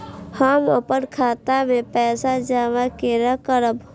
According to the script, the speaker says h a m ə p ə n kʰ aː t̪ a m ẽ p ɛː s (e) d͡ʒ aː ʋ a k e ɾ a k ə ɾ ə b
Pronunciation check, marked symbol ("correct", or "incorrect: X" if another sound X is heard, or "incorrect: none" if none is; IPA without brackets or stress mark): incorrect: a